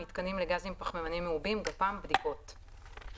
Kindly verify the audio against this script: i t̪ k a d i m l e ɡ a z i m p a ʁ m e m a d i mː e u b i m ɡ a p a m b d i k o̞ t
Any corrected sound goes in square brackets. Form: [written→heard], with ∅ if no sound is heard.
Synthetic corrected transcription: i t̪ k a [d→n] i m l e ɡ a z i m p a [ʁ→χ] m e m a [d→n] i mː e u b i m ɡ a p a m b d i k o̞ t